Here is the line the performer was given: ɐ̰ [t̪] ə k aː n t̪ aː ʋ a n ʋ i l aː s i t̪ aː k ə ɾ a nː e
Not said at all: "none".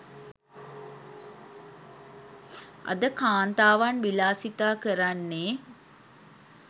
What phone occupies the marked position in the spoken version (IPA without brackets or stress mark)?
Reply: d̪